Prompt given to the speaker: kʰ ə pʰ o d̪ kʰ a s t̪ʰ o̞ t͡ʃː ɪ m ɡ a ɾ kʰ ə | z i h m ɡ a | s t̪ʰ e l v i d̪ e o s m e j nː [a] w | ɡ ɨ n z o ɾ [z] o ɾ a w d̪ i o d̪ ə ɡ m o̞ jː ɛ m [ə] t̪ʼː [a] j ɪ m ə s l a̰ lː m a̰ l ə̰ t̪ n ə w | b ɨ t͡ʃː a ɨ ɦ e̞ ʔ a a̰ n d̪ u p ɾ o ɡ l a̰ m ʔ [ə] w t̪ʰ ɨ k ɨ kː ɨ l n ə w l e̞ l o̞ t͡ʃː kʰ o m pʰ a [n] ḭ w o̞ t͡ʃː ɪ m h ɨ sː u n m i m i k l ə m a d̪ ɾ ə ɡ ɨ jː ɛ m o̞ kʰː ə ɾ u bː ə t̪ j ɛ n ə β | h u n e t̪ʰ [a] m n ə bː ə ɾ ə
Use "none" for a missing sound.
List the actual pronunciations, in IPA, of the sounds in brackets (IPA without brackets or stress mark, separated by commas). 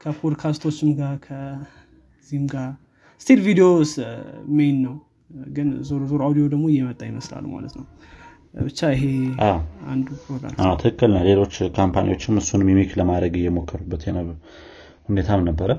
ə, z, ə, a, a, n, a